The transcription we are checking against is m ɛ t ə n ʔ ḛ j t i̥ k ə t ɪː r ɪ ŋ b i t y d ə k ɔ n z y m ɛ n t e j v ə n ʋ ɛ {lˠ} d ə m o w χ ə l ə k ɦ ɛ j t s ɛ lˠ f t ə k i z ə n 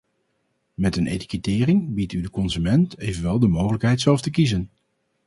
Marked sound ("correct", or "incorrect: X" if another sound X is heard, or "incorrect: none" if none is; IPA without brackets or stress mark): correct